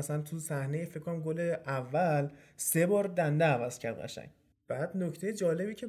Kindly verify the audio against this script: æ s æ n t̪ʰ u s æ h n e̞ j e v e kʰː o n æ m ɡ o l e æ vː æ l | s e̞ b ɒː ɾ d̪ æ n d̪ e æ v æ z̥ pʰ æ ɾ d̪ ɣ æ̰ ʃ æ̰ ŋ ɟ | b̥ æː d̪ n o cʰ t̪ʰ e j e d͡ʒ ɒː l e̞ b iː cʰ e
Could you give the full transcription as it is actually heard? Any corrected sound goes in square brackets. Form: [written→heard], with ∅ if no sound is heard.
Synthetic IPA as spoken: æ s æ n t̪ʰ u s æ h n e̞ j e [v→f] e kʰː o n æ m ɡ o l e æ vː æ l | s e̞ b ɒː ɾ d̪ æ n d̪ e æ v æ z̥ [pʰ→cʰ] æ ɾ d̪ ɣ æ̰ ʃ æ̰ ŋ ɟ | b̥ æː d̪ n o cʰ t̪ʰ e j e d͡ʒ ɒː l e̞ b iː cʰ e